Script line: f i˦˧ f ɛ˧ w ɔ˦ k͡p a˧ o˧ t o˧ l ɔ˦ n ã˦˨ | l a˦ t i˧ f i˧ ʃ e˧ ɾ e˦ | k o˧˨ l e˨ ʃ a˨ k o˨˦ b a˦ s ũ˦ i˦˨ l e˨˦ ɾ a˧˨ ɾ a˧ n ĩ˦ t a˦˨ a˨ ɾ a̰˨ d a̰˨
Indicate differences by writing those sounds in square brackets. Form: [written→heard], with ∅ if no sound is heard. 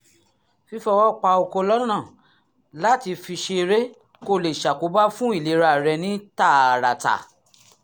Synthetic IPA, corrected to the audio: f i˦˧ f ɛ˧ w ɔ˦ k͡p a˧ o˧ [t→k] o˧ l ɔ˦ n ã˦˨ | l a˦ t i˧ f i˧ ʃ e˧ ɾ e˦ | k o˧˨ l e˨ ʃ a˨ k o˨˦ b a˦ [s→f] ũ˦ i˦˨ l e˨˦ ɾ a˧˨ ɾ [a˧→ɛ˧] n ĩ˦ t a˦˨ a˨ ɾ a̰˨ [d→t] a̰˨